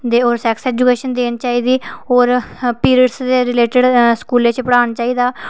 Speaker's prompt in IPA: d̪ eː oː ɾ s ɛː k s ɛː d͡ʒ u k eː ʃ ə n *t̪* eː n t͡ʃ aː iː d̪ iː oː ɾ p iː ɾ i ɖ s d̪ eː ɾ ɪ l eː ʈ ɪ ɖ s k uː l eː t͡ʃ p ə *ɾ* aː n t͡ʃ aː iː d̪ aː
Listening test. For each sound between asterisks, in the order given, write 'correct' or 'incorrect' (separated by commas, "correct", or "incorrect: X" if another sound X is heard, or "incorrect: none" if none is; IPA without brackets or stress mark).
incorrect: d̪, incorrect: ɽ